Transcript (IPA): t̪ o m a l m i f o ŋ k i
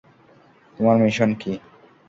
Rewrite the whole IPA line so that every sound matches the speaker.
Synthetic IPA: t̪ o m a ɾ m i ʃ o n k i